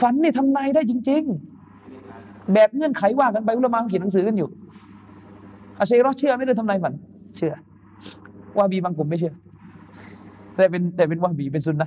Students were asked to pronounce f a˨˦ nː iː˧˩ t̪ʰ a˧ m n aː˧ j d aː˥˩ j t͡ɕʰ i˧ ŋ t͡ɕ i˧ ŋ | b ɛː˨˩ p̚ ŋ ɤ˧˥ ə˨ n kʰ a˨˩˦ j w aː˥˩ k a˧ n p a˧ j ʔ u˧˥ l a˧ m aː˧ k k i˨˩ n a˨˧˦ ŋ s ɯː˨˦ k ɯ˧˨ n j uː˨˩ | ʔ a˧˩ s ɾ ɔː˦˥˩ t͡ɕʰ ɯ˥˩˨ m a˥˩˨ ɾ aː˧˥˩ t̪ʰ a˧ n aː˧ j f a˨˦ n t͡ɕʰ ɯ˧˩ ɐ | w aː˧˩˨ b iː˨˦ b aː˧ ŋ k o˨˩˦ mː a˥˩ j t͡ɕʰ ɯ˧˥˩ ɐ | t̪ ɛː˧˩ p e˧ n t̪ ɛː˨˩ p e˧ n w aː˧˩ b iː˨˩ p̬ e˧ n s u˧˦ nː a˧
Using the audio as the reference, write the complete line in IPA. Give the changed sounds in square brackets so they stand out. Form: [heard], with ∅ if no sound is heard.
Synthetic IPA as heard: f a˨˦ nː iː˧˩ t̪ʰ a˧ m n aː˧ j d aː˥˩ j [t͡ɕ] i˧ ŋ t͡ɕ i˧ ŋ | b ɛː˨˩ p̚ ŋ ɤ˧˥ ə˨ n kʰ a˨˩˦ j w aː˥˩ k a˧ n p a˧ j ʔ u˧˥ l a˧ m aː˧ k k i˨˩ n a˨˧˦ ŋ s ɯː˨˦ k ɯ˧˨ n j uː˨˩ | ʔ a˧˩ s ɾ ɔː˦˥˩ t͡ɕʰ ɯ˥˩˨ m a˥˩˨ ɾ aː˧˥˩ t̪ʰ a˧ n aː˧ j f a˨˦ n t͡ɕʰ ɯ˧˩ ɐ | w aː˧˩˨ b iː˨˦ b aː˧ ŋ k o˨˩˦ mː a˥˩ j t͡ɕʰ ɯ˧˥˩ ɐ | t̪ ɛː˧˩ p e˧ n t̪ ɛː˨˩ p e˧ n w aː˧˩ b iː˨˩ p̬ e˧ n s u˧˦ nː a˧